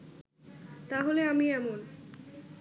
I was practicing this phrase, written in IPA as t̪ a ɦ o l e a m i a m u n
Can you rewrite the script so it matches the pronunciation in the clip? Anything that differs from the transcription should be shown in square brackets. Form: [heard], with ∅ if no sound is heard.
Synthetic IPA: t̪ a ɦ o l e a m i [ɛ] m [o] n

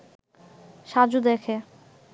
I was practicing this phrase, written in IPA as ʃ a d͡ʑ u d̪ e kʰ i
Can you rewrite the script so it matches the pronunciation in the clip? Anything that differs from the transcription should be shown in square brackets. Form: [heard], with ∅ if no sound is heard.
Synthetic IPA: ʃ a d͡ʑ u d̪ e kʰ [e]

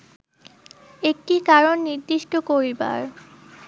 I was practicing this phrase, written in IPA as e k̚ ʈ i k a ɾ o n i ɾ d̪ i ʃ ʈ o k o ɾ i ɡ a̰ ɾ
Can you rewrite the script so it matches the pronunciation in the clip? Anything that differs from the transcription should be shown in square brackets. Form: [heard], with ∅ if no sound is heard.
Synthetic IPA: e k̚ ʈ i k a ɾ o [nː] i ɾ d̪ i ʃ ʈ o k o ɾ i [b] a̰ ɾ

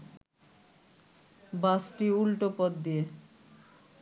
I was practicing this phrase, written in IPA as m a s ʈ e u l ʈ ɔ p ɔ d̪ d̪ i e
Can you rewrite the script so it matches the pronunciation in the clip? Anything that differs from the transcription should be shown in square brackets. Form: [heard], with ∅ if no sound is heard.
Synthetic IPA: [b] a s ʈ [i] u l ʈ [o] p ɔ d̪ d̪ i e

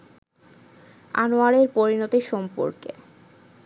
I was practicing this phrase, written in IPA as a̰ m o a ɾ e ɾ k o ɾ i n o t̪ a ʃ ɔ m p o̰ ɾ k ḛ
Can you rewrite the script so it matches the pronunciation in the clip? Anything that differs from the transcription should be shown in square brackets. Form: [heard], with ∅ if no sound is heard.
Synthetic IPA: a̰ [n] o a ɾ e ɾ [p] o ɾ i n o t̪ [i] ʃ ɔ m p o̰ ɾ k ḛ

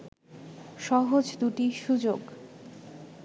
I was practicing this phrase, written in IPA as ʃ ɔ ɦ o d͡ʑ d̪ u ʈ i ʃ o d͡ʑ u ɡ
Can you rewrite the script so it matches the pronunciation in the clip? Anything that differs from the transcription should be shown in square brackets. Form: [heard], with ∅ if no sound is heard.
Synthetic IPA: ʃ ɔ ɦ o d͡ʑ d̪ u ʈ i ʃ [u] d͡ʑ [o] ɡ

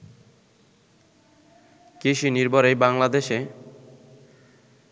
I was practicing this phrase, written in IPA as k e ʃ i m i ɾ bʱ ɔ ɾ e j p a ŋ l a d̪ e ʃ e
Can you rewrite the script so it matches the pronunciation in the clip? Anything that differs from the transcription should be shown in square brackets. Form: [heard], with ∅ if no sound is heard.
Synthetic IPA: k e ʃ i [n] i ɾ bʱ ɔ ɾ e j [b] a ŋ l a d̪ e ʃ e

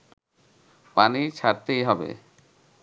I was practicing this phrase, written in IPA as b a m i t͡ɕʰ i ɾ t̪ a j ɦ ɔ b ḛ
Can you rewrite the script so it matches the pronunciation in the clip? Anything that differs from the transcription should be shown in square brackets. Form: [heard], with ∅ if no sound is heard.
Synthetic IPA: [p] a [n] i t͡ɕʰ [a] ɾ t̪ [e] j ɦ ɔ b ḛ

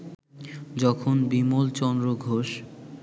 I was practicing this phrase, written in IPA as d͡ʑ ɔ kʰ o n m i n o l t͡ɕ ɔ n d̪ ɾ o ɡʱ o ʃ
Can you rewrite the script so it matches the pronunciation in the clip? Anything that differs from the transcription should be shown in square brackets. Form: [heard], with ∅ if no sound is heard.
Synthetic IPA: d͡ʑ ɔ kʰ o n [b] i [m] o l t͡ɕ ɔ n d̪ ɾ o ɡʱ o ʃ

